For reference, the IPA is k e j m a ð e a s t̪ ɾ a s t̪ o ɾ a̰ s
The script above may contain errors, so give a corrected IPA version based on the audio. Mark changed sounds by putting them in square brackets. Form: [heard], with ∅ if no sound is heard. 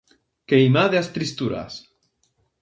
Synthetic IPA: k e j m a ð e a s t̪ ɾ [i] s t̪ [u] ɾ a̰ s